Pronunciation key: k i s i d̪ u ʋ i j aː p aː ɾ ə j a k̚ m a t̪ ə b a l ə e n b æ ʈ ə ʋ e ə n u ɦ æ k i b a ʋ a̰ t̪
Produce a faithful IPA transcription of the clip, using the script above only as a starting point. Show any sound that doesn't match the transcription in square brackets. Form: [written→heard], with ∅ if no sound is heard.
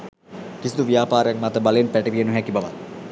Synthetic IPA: k i s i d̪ u ʋ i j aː p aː ɾ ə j a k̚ m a t̪ ə b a l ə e n [b→p] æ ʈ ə ʋ [e→i] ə n u ɦ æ k i b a ʋ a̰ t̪